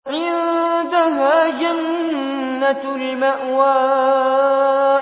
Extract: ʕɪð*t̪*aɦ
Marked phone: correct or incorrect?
incorrect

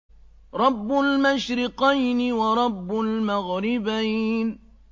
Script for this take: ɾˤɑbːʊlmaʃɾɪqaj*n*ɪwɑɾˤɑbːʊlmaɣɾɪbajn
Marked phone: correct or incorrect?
correct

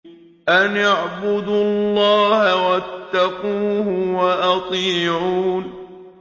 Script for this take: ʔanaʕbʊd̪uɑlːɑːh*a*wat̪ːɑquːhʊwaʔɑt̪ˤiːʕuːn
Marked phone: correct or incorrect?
correct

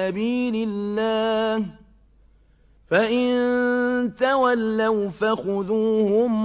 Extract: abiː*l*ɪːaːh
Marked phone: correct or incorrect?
correct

